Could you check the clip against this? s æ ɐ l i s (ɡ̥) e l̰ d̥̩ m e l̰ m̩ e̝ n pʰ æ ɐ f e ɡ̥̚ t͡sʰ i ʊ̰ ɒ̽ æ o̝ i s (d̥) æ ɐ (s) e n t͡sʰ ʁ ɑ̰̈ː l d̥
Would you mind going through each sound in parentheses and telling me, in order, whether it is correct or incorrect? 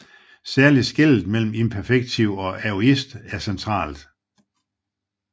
correct, correct, correct

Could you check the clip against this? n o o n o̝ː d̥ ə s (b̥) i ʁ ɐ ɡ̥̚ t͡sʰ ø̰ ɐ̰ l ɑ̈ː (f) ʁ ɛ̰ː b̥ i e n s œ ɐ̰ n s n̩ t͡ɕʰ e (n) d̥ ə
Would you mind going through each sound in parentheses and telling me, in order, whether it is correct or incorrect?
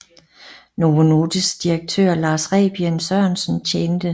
incorrect: d̥, incorrect: s, correct

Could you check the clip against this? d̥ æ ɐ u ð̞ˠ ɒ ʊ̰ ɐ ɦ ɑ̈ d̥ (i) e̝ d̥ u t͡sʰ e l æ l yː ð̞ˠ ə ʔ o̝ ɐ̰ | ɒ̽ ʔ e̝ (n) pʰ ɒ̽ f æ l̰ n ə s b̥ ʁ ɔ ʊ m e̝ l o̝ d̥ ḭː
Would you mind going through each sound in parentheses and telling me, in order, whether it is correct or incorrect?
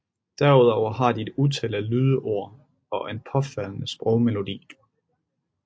correct, correct

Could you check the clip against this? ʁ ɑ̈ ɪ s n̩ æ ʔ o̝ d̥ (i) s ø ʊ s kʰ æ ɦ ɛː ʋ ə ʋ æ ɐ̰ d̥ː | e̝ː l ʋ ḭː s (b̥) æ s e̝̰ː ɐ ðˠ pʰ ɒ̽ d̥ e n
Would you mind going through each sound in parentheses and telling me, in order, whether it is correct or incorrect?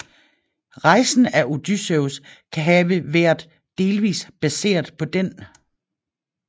incorrect: y, correct

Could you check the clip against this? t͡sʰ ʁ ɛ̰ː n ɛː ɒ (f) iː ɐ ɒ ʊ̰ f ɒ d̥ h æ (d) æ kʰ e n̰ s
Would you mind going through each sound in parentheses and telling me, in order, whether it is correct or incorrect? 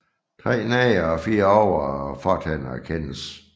correct, incorrect: n

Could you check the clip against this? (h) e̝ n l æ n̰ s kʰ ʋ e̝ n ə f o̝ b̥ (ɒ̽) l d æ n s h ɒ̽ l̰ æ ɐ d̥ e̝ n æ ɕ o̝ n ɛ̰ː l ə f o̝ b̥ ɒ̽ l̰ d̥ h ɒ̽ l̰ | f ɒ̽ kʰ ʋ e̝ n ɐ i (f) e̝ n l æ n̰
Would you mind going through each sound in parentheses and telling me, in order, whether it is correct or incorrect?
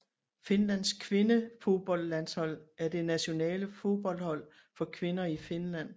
incorrect: f, correct, correct

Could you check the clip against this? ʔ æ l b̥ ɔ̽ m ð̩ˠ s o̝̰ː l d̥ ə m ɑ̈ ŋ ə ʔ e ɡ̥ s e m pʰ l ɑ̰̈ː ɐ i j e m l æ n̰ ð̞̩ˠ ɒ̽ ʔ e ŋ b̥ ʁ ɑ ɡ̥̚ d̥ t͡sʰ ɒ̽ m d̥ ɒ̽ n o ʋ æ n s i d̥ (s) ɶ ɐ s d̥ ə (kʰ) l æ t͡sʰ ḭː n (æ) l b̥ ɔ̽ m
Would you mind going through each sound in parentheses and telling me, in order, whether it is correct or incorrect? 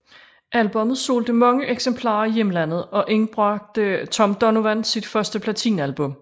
incorrect: f, incorrect: pʰ, correct

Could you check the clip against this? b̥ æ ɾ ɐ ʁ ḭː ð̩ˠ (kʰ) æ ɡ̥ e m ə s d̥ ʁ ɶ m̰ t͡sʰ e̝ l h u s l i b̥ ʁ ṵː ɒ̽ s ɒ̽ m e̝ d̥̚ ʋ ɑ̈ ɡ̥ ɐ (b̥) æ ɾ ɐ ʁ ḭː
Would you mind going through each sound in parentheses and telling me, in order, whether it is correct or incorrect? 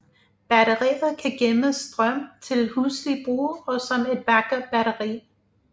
correct, correct

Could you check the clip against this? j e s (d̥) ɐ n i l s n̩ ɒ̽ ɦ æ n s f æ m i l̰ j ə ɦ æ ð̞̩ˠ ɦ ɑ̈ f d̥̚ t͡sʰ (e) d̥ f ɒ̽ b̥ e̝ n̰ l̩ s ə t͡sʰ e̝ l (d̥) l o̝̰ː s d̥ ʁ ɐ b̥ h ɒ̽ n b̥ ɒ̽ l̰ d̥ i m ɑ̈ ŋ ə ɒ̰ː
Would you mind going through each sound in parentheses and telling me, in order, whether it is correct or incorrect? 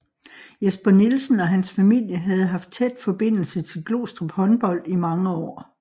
incorrect: b̥, correct, incorrect: ɡ̥

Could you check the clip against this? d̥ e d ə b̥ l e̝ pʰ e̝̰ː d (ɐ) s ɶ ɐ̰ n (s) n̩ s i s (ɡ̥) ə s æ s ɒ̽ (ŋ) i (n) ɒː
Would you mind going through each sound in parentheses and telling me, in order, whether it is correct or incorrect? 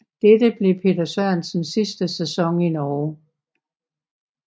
correct, correct, incorrect: d̥, correct, correct

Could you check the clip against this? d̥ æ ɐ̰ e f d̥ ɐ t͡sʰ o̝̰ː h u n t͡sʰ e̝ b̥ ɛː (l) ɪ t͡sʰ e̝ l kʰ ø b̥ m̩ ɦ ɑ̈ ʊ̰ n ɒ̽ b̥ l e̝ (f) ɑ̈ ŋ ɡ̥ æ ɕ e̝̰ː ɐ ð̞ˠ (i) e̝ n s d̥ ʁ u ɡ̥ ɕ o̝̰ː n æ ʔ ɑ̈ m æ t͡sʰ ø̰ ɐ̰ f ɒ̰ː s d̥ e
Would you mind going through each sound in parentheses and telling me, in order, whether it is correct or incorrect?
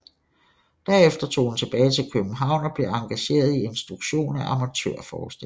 incorrect: none, incorrect: none, correct

